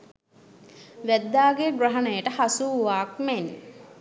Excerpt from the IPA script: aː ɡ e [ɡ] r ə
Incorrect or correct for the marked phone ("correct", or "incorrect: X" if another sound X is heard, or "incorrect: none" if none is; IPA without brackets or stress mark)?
correct